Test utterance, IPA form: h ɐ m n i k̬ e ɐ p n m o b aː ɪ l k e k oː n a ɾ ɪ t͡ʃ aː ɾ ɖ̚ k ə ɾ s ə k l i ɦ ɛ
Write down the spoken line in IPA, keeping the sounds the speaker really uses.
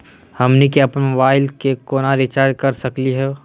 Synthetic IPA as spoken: h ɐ m n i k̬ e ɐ p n m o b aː ɪ l k e k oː n a ɾ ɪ t͡ʃ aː ɾ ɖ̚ k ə ɾ s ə k l i ɦ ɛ